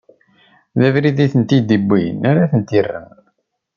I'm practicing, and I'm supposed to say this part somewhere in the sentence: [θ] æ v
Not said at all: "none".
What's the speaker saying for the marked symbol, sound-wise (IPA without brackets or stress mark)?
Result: ð